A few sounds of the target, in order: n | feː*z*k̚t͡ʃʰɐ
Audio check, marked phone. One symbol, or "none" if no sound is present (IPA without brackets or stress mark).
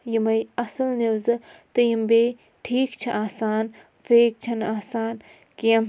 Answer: none